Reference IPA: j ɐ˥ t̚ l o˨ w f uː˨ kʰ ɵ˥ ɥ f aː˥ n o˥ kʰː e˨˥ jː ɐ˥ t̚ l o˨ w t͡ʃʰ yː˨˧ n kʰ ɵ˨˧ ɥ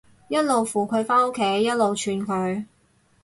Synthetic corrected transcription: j ɐ˥ t̚ l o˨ w f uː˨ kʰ ɵ˨˧ ɥ f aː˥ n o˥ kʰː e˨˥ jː ɐ˥ t̚ l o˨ w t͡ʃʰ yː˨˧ n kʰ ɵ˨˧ ɥ